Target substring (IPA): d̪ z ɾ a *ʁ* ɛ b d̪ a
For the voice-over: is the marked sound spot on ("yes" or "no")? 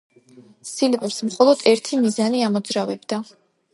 no